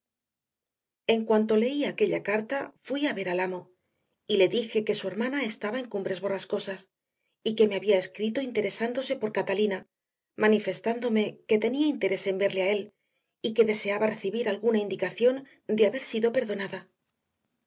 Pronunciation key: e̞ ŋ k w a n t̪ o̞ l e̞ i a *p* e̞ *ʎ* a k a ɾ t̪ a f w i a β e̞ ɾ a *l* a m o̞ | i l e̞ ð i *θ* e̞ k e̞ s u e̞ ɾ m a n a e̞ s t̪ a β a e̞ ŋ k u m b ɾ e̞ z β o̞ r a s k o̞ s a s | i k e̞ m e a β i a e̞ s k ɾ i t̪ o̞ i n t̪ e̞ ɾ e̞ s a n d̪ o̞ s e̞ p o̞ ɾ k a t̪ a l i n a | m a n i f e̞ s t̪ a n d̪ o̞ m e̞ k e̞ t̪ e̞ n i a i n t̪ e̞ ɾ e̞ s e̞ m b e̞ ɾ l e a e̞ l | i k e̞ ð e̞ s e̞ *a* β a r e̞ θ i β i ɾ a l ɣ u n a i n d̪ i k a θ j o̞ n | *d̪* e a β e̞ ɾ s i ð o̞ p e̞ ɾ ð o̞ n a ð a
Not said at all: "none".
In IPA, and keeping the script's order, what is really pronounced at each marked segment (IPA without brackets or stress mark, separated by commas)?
k, ʎ, l, x, a, d̪